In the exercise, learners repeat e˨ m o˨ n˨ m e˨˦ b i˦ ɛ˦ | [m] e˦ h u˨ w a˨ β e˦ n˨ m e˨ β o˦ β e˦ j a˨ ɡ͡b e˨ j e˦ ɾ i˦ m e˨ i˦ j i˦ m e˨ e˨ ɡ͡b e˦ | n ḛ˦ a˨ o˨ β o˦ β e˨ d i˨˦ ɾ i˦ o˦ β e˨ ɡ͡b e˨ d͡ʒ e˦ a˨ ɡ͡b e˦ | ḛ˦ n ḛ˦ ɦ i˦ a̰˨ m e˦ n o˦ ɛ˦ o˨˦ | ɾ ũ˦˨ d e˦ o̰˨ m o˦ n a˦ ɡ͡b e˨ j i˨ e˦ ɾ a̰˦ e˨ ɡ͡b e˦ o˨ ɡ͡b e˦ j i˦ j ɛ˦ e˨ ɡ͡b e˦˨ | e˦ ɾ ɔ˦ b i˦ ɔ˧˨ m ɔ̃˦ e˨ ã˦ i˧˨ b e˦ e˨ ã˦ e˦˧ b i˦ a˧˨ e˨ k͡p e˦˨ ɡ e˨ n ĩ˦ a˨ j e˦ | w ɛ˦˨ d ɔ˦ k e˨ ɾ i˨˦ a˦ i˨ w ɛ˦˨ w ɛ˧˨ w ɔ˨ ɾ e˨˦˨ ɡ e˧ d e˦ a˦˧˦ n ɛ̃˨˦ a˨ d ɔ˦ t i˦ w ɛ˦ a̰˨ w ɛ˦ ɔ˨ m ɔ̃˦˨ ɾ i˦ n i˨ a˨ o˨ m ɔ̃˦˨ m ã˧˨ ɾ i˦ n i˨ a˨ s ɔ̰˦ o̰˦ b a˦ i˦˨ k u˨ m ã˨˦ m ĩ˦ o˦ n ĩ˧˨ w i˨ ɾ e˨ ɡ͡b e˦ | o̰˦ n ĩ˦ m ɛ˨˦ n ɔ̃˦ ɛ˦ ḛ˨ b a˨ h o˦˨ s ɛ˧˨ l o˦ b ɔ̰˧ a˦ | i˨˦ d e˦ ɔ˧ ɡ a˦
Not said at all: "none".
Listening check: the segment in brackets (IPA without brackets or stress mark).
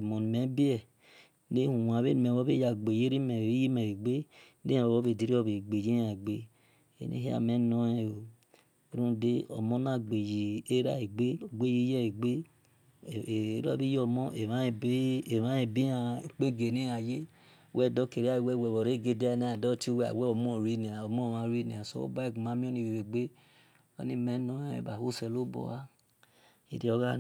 n